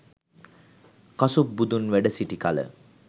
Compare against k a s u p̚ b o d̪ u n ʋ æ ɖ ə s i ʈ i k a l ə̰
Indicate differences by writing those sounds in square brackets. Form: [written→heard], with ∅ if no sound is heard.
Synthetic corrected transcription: k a s u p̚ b [o→u] d̪ u n ʋ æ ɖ ə s i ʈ i k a l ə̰